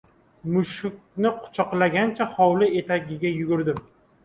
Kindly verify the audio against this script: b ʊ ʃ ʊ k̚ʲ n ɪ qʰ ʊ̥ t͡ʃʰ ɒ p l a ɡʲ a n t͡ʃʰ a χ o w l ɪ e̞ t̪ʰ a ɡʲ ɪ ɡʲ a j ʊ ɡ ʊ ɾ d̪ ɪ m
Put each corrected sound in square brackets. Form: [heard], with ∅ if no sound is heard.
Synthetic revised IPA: [m] ʊ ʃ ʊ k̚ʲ n ɪ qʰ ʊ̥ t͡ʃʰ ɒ [q] l a ɡʲ a n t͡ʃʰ a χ [ɒ] w l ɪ e̞ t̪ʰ a ɡʲ ɪ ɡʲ a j ʊ ɡ ʊ ɾ d̪ ɪ m